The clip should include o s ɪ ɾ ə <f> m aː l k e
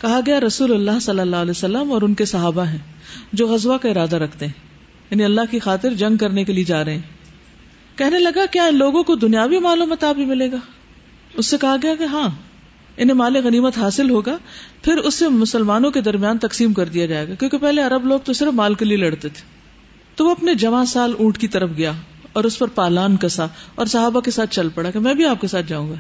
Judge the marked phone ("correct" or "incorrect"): correct